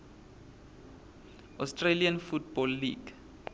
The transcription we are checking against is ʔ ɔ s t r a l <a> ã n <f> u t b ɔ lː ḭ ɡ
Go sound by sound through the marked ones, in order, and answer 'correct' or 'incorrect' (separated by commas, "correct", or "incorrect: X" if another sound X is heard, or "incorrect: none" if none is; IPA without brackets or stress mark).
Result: incorrect: i, correct